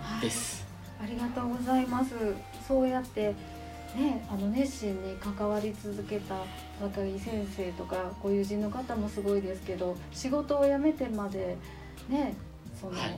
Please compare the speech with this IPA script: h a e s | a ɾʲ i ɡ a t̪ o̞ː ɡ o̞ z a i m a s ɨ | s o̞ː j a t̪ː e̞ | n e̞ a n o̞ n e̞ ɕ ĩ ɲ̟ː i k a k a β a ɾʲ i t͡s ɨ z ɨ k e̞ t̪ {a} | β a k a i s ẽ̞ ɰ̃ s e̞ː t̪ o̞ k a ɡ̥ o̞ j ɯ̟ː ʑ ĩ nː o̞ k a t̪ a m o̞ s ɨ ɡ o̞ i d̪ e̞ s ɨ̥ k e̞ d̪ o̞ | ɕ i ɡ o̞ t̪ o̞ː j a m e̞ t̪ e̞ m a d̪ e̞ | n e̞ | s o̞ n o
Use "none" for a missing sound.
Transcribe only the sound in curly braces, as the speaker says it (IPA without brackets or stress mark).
a